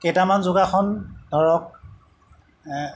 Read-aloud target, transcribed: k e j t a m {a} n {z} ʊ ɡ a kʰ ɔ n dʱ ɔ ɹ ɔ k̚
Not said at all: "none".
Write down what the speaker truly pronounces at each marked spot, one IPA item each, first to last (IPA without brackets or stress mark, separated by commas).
a, z